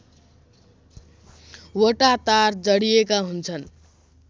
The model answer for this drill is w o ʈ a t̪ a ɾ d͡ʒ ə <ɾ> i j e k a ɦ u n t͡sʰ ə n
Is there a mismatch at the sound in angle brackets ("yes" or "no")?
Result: yes